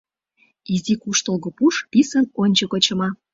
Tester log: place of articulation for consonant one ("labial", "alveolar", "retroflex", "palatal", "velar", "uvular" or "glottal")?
alveolar